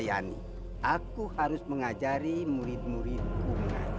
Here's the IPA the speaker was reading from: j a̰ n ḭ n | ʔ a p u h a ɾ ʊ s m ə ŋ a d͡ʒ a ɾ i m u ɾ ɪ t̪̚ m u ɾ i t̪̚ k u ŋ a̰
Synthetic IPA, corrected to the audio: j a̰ n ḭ | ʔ a k u h a ɾ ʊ s m ə ŋ a d͡ʒ a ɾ i m u ɾ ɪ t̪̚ m u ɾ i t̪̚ k u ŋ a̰